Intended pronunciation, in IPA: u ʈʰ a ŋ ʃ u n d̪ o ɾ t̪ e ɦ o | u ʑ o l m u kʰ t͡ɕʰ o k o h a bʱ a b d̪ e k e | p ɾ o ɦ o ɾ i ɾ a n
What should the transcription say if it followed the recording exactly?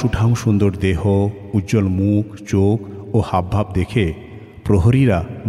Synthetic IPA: u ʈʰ a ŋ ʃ u n d̪ o ɾ d̪ e ɦ o | u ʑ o l m u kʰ t͡ɕ o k o h a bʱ a b d̪ e kʰ e | p ɾ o ɦ o ɾ i ɾ a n